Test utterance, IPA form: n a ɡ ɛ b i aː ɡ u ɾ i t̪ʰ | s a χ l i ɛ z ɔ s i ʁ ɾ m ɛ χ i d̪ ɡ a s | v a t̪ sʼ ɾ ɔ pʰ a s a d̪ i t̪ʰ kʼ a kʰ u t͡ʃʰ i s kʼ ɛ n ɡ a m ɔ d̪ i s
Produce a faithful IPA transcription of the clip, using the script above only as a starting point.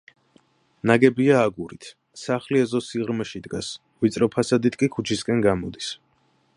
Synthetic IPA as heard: n a ɡ ɛ b i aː ɡ u ɾ i t̪ʰ | s a χ l i ɛ z ɔ s i ʁ ɾ m ɛ ʃ i d̪ ɡ a s | v i t̪ sʼ ɾ ɔ pʰ a s a d̪ i t̪ʰ kʼ i kʰ u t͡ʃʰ i s kʼ ɛ n ɡ a m ɔ d̪ i s